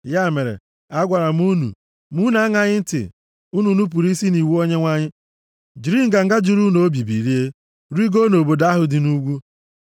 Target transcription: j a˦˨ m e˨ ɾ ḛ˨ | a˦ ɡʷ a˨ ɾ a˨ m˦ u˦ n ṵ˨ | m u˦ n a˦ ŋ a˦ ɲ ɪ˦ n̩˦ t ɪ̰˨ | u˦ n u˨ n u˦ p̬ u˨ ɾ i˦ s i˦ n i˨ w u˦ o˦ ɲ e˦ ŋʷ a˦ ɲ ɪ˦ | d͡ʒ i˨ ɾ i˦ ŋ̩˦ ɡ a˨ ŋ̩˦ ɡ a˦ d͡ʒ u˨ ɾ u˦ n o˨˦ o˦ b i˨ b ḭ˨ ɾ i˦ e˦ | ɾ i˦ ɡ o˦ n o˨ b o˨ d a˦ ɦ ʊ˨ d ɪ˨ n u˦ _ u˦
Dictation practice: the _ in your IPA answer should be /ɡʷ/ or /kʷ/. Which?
ɡʷ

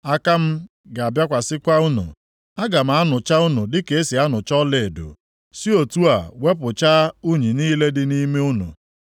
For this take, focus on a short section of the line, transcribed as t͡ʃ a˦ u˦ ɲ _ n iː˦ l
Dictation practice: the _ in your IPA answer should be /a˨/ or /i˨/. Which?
i˨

